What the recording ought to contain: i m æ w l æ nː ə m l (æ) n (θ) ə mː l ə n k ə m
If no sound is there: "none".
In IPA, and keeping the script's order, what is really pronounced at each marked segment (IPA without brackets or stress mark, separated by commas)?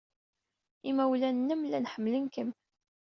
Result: æ, ħ